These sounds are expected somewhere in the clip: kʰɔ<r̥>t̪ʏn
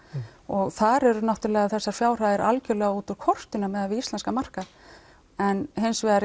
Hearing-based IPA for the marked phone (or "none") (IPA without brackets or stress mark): r̥